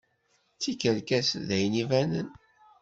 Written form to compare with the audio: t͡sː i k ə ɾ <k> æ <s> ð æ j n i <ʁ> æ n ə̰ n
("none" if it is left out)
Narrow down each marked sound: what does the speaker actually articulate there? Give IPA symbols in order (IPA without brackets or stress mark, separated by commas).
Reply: k, s, v